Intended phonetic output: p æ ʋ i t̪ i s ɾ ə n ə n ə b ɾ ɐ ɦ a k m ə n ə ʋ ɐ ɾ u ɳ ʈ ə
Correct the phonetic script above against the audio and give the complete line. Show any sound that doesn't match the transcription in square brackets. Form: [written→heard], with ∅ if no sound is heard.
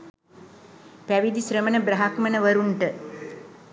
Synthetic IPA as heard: p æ ʋ i [t̪→d̪] i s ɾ ə [n→m] ə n ə b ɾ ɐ ɦ a k m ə n ə ʋ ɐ ɾ u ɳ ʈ ə